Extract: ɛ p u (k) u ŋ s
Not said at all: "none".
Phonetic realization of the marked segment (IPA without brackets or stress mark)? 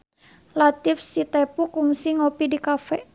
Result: k